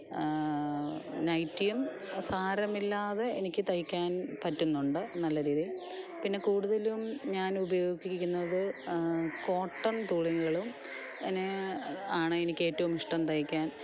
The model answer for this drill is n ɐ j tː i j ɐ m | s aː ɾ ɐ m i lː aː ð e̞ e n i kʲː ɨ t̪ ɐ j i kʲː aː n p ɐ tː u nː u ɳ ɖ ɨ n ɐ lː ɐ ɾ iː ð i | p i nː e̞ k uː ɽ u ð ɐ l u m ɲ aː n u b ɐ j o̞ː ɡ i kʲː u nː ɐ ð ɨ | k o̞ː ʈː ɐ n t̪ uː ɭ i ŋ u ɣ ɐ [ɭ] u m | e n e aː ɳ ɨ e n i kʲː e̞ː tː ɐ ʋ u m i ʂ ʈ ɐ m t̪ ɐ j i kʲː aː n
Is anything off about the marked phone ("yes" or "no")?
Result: no